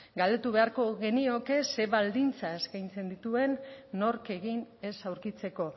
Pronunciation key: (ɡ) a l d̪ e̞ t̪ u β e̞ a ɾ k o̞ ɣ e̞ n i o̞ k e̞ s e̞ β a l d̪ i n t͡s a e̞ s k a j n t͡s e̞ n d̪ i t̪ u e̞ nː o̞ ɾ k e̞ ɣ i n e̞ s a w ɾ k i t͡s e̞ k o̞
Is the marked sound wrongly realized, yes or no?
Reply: no